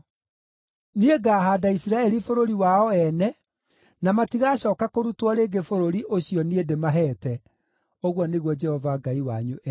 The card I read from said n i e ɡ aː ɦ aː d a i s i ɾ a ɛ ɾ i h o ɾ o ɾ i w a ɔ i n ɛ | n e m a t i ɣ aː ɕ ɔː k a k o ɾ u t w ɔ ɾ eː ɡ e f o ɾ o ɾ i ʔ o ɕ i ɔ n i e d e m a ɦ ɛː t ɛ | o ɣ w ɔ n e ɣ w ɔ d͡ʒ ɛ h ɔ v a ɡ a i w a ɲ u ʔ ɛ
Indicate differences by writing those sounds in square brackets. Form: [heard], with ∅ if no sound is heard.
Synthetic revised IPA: n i e ɡ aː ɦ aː d a i s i ɾ a ɛ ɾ i [f] o ɾ o ɾ i w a ɔ [ɛ] n ɛ | n [a] m a t i ɣ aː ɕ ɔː k a k o ɾ u t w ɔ ɾ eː ɡ e f o ɾ o ɾ i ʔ o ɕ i ɔ n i e d e m a ɦ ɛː t ɛ | o ɣ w ɔ n e ɣ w ɔ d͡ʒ ɛ h ɔ v a ɡ a i w a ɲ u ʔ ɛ